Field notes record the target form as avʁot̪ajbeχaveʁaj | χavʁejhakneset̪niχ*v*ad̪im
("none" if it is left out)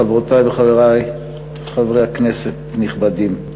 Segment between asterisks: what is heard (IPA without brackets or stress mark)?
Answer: b